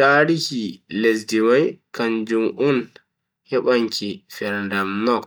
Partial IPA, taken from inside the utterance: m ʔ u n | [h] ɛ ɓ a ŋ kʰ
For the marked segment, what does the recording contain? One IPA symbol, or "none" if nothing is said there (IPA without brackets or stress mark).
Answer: h